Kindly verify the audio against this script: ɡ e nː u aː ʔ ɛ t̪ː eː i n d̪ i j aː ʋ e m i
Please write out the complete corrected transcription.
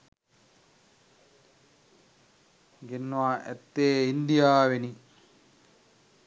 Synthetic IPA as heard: ɡ e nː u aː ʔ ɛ t̪ː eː i n d̪ i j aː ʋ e n i